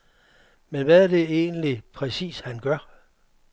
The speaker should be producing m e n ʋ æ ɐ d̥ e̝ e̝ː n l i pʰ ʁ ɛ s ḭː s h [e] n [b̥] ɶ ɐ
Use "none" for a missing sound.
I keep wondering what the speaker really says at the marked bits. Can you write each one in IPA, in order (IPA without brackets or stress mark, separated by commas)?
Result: æ, ɡ̥